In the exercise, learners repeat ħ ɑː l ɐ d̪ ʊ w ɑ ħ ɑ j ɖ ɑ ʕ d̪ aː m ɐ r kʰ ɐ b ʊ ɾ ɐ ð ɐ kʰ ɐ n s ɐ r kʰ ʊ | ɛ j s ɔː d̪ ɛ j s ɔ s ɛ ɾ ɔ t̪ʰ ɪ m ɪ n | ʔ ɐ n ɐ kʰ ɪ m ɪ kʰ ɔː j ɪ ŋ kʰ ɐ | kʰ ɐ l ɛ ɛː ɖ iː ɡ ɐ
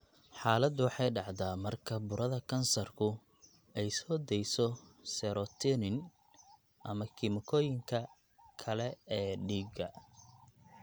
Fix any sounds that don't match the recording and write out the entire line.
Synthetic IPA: ħ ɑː l ɐ d̪ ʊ w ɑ ħ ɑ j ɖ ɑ ʕ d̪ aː m ɐ r kʰ ɐ b ʊ ɾ ɐ ð ɐ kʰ ɐ n s ɐ r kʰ ʊ | ɛ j s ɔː d̪ ɛ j s ɔ s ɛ ɾ ɔ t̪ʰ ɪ n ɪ n | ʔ ɐ m ɐ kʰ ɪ m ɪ kʰ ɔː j ɪ ŋ kʰ ɐ | kʰ ɐ l ɛ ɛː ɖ iː ɡ ɐ